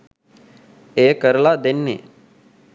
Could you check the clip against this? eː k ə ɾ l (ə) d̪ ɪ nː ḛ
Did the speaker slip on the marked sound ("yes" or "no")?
yes